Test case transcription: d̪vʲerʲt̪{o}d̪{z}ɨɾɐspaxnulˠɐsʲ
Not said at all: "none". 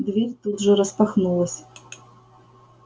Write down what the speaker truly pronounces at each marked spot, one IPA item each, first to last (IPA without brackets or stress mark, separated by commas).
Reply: u, ʐ